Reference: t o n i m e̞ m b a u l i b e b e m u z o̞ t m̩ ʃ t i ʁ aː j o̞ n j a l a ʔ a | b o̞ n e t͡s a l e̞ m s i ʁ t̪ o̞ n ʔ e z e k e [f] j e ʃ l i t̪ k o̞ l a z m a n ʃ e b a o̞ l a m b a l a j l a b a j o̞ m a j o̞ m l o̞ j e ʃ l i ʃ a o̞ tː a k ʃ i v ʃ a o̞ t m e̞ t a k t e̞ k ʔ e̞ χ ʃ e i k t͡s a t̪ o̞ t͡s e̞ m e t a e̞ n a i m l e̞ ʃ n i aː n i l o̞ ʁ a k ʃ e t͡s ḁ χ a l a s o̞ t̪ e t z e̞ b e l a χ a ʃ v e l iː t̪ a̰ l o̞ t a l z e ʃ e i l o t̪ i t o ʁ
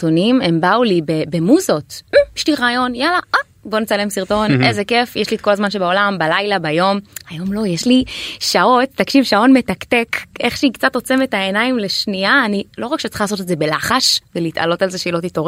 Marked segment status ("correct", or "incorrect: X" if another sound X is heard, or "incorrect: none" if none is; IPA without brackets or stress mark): correct